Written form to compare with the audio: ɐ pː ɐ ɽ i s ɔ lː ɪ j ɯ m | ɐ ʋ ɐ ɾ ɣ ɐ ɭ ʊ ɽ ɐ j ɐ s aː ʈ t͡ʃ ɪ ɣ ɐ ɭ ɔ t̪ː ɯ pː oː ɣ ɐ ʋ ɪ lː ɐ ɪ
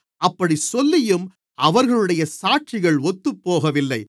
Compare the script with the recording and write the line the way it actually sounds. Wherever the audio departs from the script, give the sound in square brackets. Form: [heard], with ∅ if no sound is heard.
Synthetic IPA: ɐ pː ɐ ɽ i s ɔ lː ɪ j ɯ m | ɐ ʋ ɐ ɾ ɣ ɐ ɭ [ɯ] ɽ ɐ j ɐ s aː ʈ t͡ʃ ɪ ɣ ɐ ɭ ɔ t̪ː ɯ pː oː ɣ ɐ ʋ ɪ lː ɐ ɪ